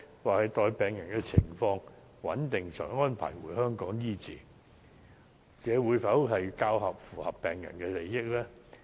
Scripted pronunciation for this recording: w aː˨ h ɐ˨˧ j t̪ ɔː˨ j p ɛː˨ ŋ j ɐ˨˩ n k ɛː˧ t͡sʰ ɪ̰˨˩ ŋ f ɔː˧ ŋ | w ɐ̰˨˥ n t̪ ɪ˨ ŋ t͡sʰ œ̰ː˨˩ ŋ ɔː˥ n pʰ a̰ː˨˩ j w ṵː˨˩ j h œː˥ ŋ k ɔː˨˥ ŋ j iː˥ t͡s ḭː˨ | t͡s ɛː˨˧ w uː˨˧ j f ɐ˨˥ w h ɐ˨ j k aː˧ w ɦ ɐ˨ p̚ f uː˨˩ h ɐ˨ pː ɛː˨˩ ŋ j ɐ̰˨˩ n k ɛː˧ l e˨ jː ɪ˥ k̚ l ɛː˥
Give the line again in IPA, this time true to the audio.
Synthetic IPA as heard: w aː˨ h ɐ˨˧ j t̪ ɔː˨ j p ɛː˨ ŋ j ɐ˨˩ n k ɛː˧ t͡sʰ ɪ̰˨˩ ŋ f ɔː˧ ŋ | w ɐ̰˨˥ n t̪ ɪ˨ ŋ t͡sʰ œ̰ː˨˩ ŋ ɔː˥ n pʰ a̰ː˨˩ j w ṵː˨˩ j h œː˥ ŋ k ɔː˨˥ ŋ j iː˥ t͡s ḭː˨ | t͡s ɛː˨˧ w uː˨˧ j f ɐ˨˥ w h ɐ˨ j k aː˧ w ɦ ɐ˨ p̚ f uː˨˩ h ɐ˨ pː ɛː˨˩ ŋ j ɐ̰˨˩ n k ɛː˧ l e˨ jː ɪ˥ k̚ l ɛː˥